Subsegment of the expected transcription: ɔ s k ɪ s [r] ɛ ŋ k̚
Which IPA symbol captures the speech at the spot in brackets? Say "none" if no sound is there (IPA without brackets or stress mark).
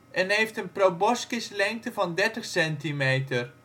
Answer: l